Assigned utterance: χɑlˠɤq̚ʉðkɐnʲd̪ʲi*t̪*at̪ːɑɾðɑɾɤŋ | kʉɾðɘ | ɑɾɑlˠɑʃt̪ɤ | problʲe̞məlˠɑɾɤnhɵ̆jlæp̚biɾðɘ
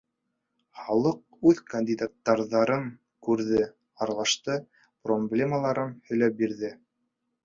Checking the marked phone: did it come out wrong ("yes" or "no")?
yes